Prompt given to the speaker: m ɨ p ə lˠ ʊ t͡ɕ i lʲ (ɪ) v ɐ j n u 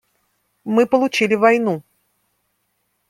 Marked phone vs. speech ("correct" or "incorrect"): correct